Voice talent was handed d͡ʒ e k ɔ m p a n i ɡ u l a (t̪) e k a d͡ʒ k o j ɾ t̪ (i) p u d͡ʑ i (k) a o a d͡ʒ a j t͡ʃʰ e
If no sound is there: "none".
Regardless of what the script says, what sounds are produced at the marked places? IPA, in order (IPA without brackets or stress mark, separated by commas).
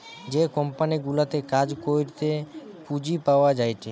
t̪, e, p